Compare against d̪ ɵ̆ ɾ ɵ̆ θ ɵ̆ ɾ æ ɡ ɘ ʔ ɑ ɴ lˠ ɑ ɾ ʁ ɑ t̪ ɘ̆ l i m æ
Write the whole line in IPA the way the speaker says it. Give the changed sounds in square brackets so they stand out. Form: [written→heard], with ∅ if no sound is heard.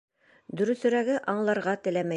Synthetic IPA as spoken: d̪ ɵ̆ ɾ ɵ̆ θ ɵ̆ ɾ æ ɡ ɘ ʔ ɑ ɴ lˠ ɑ ɾ ʁ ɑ t̪ ɘ̆ l [i→æ] m æ